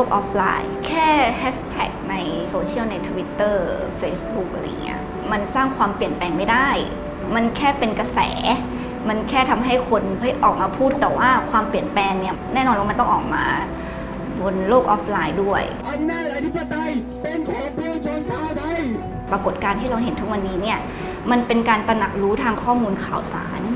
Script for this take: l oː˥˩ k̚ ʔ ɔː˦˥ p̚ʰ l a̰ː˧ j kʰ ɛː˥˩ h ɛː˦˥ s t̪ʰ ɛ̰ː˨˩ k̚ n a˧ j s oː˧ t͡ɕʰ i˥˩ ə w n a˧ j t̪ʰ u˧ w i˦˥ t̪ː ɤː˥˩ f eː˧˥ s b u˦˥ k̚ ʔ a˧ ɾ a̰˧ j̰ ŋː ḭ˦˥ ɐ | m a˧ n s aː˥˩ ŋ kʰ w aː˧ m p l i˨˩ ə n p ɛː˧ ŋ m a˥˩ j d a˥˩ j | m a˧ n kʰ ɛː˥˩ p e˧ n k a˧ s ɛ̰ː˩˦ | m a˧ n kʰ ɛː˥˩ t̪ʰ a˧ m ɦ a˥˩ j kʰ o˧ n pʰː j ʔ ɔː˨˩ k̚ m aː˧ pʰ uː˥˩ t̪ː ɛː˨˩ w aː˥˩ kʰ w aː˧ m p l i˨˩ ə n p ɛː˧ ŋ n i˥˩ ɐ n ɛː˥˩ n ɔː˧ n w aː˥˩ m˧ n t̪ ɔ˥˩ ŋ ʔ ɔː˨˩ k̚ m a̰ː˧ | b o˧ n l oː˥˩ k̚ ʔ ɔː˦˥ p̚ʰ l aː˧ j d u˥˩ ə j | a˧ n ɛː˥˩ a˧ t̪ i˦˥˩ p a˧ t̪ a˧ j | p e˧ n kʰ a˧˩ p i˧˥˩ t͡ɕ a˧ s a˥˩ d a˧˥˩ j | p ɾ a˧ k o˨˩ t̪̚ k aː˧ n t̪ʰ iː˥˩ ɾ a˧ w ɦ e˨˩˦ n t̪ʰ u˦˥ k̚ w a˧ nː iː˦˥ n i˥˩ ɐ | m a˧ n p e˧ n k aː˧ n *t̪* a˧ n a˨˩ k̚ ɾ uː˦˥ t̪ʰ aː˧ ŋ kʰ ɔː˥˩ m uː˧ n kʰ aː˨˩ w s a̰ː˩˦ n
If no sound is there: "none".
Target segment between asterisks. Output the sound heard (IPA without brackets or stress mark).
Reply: t̪